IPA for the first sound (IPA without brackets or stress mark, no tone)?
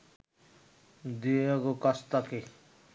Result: d̪